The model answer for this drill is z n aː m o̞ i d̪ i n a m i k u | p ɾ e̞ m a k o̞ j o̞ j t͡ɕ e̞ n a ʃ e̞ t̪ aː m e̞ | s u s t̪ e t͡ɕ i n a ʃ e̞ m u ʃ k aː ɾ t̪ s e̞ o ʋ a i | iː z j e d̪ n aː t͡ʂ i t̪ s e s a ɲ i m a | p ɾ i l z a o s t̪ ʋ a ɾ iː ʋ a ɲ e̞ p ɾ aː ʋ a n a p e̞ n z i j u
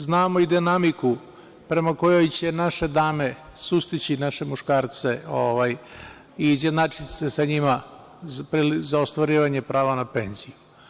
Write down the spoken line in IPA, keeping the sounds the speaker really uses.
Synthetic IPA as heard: z n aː m o̞ i d̪ i n a m i k u | p ɾ e̞ m a k o̞ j o̞ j t͡ɕ e̞ n a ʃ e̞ d̪ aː m e̞ | s u s t̪ i t͡ɕ i n a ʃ e̞ m u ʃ k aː ɾ t̪ s e̞ o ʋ a j | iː z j e d̪ n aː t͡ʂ i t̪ s e s a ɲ i m a | p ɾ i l z a o s t̪ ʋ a ɾ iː ʋ a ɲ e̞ p ɾ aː ʋ a n a p e̞ n z i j u